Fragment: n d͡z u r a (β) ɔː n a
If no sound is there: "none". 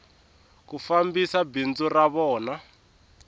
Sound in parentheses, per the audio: β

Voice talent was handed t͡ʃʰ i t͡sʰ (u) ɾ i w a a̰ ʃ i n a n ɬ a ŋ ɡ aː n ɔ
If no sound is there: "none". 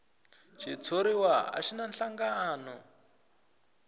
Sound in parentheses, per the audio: o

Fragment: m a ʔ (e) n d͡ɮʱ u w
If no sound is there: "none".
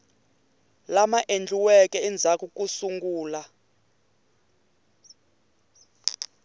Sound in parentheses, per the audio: e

